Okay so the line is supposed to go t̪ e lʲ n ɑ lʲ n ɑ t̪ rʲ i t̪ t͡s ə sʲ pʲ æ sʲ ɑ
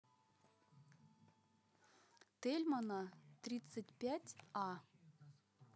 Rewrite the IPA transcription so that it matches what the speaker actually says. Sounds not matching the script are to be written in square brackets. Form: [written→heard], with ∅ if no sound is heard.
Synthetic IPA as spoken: t̪ e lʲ [n→m] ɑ [lʲ→∅] n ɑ t̪ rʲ i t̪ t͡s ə [sʲ→tʲ] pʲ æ [sʲ→tʲ] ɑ